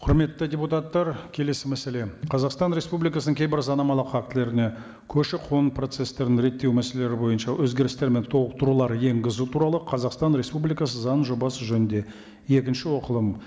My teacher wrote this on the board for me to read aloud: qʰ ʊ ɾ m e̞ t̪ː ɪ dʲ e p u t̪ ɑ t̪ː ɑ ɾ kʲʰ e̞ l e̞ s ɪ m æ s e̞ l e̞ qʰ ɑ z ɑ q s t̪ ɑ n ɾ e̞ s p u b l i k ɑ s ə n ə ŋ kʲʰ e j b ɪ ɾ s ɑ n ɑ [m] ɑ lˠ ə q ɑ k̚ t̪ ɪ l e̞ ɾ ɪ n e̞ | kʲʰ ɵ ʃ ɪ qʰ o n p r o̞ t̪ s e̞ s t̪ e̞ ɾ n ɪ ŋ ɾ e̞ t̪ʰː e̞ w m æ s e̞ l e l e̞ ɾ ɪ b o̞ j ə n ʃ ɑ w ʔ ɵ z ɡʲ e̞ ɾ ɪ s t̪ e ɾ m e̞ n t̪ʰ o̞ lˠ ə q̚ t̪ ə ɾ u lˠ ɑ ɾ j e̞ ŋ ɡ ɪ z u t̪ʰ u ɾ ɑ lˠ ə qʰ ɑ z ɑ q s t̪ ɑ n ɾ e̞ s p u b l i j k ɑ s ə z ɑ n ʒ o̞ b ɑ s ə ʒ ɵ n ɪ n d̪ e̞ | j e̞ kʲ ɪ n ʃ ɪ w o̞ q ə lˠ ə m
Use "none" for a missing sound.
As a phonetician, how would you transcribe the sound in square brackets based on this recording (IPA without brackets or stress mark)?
m